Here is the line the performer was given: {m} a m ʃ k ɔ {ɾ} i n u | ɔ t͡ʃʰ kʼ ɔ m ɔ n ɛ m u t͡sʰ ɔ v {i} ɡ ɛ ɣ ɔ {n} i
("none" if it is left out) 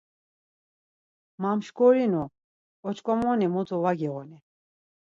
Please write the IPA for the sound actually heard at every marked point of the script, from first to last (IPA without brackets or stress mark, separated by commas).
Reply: m, ɾ, a, n